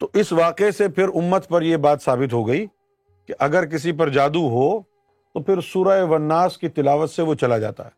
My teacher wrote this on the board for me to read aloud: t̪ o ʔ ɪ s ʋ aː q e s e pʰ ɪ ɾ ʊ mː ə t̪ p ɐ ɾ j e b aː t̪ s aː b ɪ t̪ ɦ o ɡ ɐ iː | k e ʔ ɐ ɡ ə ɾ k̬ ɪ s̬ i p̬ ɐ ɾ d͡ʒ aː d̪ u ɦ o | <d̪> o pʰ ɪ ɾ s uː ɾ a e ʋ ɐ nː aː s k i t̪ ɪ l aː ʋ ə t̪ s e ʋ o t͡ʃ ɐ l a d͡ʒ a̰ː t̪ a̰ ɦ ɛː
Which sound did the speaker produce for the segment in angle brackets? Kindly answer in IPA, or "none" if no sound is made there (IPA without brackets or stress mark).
t̪